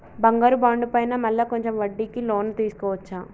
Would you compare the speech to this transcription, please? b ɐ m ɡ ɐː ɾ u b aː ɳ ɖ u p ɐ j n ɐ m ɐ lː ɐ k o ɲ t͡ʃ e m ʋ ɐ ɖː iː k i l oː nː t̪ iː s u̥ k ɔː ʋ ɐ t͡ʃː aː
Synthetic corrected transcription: b ɐ ŋ ɡ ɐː ɾ u b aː ɳ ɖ u p ɐ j n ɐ m ɐ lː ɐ k o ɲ t͡ʃ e m ʋ ɐ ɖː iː k i l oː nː t̪ iː s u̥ k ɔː ʋ ɐ t͡ʃː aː